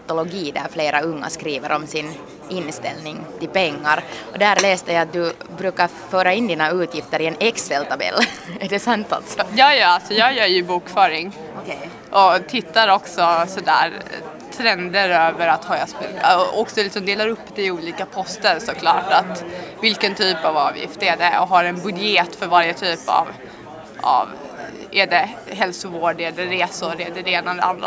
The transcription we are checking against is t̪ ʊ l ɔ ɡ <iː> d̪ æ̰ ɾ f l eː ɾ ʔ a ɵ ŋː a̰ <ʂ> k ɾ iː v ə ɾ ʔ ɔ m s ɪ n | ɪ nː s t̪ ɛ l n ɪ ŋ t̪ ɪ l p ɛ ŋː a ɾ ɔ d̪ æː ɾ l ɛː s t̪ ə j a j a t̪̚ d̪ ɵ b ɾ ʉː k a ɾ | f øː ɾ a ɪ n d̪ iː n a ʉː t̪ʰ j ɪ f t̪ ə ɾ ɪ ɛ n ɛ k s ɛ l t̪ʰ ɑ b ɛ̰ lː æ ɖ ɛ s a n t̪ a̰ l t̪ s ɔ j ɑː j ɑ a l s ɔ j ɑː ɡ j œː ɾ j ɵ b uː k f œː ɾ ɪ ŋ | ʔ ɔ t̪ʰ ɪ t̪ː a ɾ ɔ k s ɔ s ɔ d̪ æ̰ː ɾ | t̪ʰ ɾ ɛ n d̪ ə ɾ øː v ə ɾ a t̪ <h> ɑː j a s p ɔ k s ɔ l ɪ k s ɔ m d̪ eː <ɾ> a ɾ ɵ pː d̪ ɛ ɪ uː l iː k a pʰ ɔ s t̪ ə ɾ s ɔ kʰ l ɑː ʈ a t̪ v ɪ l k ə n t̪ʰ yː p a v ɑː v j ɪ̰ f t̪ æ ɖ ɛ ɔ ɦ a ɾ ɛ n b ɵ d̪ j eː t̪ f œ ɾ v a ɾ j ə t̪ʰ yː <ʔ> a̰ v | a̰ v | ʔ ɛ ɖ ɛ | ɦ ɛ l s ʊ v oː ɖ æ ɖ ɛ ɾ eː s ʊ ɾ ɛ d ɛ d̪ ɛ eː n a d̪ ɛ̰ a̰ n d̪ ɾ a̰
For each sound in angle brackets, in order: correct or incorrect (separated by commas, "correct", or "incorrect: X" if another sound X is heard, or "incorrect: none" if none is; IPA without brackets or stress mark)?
correct, incorrect: s, correct, incorrect: l, incorrect: p